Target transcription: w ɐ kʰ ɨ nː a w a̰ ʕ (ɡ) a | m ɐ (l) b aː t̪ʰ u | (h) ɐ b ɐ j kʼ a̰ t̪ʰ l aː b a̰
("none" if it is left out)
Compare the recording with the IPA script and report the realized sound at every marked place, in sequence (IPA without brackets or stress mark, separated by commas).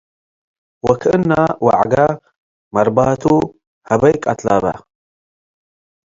ɡ, ɾ, h